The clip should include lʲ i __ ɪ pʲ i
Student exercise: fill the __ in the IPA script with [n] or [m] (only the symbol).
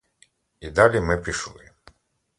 m